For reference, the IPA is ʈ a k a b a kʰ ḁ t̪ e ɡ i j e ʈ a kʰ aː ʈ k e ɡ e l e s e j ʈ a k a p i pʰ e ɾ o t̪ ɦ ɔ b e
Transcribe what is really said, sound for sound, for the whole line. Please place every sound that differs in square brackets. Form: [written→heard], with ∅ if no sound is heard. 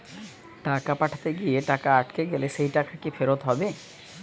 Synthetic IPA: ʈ a k a [b→p] a [kʰ→ʈʰ] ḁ t̪ e ɡ i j e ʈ a [kʰ→k] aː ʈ k e ɡ e l e s e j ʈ a k a [p→k] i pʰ e ɾ o t̪ ɦ ɔ b e